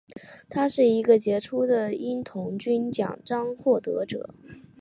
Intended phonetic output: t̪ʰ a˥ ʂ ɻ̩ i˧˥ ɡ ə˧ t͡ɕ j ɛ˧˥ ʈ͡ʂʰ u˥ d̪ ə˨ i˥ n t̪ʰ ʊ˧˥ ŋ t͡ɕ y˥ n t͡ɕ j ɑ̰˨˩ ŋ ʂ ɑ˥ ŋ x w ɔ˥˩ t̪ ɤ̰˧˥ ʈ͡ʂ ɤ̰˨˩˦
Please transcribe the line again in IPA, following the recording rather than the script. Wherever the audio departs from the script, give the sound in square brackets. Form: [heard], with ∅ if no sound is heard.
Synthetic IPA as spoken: t̪ʰ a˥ ʂ ɻ̩ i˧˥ ɡ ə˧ t͡ɕ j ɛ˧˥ ʈ͡ʂʰ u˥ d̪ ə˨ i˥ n t̪ʰ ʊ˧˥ ŋ t͡ɕ y˥ n t͡ɕ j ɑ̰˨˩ ŋ [ʈ͡ʂ] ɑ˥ ŋ x w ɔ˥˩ t̪ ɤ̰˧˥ ʈ͡ʂ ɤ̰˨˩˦